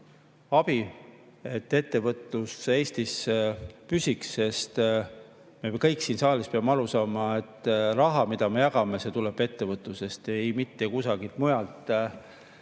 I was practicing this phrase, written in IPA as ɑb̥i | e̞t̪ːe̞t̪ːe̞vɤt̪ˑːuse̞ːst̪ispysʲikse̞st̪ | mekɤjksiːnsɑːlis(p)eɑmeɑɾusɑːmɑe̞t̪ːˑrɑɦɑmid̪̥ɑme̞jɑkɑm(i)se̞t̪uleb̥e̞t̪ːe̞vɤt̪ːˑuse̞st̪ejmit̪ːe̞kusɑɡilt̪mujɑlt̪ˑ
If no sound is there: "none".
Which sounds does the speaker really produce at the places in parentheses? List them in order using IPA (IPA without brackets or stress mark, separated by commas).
p, e